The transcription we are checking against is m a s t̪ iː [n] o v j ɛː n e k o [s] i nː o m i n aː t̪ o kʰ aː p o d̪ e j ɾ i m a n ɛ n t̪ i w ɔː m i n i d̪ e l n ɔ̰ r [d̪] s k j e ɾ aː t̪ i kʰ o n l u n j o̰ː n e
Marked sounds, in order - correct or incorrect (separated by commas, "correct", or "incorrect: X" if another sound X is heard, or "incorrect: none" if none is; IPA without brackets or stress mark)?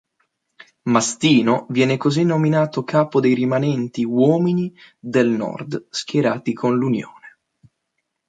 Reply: correct, incorrect: z, correct